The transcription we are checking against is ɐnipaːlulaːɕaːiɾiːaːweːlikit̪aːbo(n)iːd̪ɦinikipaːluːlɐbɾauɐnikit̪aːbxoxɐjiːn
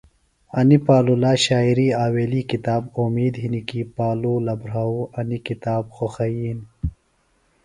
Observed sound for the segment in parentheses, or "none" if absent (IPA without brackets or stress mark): m